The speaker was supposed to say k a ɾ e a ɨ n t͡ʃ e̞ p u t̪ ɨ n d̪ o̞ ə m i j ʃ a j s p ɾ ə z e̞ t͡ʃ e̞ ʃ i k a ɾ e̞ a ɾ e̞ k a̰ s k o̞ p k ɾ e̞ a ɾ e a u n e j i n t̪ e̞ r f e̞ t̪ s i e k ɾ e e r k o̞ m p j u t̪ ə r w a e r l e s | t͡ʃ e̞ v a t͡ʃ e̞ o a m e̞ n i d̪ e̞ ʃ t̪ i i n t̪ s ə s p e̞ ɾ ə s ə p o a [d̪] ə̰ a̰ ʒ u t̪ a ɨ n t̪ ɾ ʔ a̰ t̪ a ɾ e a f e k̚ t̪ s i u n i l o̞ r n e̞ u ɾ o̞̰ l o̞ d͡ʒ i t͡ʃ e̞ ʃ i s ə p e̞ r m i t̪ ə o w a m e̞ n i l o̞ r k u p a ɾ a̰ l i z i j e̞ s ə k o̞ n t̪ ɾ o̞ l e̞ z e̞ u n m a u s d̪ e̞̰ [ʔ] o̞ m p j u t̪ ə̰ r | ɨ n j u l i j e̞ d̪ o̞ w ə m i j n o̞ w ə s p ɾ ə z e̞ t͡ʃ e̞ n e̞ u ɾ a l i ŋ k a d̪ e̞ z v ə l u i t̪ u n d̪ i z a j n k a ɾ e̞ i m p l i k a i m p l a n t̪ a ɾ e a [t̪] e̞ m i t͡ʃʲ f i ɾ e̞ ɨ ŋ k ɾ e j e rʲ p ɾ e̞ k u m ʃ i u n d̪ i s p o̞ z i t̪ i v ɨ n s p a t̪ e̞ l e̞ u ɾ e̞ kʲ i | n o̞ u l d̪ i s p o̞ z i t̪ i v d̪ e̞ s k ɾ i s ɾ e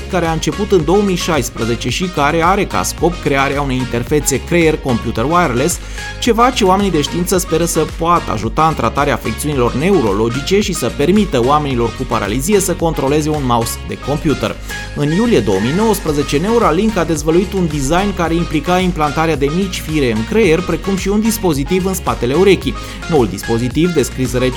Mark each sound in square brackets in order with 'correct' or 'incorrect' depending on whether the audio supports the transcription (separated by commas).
incorrect, incorrect, incorrect